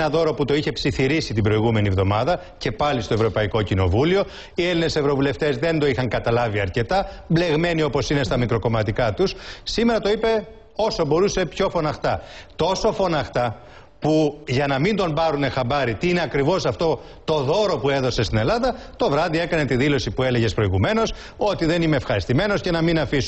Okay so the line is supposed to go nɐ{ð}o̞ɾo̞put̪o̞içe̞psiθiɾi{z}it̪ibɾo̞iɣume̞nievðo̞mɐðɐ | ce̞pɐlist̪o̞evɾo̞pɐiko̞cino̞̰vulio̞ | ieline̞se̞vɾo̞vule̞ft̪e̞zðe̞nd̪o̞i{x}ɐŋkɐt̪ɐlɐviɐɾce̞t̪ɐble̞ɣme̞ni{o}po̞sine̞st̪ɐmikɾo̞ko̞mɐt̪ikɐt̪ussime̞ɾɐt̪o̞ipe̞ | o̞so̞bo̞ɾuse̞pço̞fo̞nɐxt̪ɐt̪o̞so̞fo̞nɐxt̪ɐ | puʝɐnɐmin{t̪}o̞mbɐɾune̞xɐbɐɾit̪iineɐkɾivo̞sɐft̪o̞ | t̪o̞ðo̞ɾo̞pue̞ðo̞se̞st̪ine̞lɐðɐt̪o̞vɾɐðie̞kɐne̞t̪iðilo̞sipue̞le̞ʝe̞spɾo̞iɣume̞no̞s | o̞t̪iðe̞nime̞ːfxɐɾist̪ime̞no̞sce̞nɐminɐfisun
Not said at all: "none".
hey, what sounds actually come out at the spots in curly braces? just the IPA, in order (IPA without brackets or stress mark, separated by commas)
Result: ð, s, x, o, d̪